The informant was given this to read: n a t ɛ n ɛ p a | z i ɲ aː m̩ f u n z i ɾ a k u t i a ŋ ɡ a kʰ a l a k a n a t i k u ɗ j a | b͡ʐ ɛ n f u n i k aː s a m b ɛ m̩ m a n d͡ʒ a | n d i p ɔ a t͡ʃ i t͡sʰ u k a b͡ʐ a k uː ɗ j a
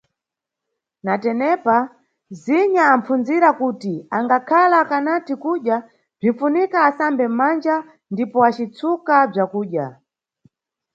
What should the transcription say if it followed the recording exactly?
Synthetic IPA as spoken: n a t ɛ n ɛ p a | z i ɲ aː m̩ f u n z i ɾ a k u t i a ŋ ɡ a kʰ a l a k a n a t i k u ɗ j a | b͡ʐ i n f u n i k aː s a m b ɛ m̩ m a n d͡ʒ a | n d i p ɔ a t͡ʃ i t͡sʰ u k a b͡ʐ a k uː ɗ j a